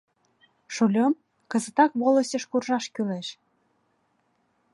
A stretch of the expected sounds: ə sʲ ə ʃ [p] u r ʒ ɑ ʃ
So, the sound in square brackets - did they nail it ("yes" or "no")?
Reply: no